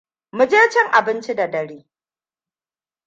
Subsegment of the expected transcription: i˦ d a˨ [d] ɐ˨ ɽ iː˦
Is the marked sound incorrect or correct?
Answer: correct